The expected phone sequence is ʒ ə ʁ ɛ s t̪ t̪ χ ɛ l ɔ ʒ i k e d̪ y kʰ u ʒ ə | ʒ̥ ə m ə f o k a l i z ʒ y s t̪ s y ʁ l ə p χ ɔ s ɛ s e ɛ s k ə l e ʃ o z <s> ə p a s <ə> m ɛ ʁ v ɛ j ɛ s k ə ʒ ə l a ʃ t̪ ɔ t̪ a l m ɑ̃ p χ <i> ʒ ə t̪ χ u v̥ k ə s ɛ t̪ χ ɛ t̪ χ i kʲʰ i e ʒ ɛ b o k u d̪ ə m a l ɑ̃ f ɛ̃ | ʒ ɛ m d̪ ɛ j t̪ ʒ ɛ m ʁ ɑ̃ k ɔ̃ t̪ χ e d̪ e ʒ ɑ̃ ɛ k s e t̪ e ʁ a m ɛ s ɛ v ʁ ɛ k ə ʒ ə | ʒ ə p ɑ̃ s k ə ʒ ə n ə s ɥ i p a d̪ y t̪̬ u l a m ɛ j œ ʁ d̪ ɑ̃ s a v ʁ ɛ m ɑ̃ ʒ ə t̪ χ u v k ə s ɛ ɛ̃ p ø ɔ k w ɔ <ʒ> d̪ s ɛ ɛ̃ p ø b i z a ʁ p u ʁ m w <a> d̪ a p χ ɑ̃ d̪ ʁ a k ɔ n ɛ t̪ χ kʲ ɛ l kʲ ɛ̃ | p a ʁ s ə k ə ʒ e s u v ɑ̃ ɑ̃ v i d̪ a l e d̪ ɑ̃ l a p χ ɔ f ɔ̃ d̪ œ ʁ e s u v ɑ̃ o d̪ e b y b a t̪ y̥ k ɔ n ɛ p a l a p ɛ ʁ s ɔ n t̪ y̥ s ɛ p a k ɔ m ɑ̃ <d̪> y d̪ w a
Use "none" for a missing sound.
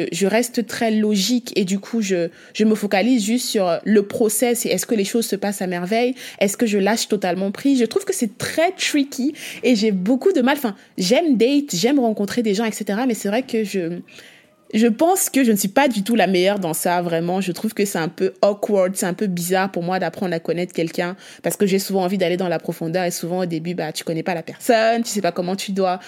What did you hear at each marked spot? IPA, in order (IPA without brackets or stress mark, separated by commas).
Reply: s, a, i, ʁ, a, t̪